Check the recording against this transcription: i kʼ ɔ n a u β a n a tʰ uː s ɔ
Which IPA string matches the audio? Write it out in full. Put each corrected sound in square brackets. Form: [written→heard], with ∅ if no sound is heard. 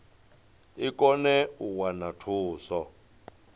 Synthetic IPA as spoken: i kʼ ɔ n [a→ɛ] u [β→w] a n a tʰ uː s ɔ